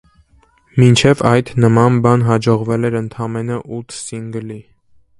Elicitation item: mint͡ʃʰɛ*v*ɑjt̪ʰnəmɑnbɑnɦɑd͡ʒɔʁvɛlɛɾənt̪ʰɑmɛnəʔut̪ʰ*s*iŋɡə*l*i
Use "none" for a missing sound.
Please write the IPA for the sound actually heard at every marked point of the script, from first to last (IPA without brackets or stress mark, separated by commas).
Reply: v, s, l